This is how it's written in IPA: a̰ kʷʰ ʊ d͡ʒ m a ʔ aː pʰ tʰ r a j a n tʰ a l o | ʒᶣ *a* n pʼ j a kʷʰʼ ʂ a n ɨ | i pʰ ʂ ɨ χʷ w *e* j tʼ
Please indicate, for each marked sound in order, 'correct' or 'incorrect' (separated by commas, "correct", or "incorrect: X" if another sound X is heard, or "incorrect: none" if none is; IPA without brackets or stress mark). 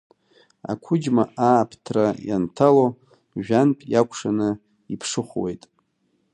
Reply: correct, correct